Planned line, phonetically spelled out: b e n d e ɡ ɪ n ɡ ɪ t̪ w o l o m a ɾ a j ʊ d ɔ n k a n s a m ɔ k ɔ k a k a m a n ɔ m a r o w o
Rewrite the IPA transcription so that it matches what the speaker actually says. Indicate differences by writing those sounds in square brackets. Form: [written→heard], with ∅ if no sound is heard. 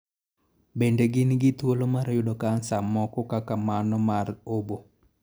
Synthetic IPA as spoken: b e n d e ɡ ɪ n ɡ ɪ t̪ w o l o m a ɾ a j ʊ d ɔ [n→∅] k a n s a m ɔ k ɔ k a k a m a n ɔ m a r o [w→b] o